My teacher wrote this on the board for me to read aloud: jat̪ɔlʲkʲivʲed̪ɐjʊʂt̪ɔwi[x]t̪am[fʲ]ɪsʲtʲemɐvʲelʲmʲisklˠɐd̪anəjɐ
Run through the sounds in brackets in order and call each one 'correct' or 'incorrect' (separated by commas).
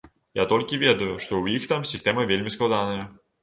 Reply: correct, incorrect